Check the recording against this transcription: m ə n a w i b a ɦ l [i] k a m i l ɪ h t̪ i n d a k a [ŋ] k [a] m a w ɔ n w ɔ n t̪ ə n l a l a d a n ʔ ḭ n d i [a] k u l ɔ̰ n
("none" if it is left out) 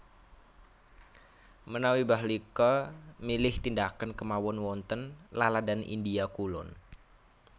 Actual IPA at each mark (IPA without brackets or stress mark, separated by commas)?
i, n, ə, a